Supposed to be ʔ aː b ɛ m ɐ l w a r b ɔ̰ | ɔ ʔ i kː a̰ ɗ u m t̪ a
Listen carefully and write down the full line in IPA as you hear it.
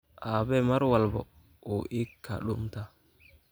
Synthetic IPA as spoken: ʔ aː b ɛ m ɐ ɾ w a l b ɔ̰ | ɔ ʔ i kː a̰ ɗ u m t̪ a